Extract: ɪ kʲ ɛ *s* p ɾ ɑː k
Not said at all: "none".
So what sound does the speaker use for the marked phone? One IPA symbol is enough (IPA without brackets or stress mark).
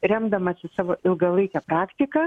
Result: none